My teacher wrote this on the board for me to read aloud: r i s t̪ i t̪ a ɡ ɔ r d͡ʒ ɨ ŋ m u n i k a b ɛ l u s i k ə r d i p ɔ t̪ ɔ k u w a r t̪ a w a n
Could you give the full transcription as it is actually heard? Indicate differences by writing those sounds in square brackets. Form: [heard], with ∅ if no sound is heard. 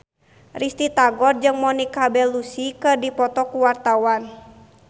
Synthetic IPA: r i s t̪ i t̪ a ɡ ɔ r d͡ʒ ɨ ŋ m [ɔ] n i k a b ɛ l u s i k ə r d i p ɔ t̪ ɔ k u w a r t̪ a w a n